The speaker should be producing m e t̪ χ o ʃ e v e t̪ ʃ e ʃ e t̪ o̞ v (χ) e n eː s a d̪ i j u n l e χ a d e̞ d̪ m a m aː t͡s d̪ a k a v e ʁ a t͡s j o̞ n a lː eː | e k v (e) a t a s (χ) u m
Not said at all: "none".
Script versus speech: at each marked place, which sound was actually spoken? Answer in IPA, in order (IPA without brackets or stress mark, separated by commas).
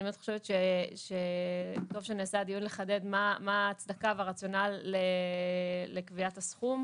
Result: ʃ, i, χ